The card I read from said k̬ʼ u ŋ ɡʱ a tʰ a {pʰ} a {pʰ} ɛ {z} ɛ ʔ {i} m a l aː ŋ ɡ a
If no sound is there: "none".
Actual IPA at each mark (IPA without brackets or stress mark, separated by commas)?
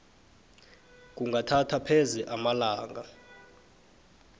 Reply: tʰ, pʰ, z, a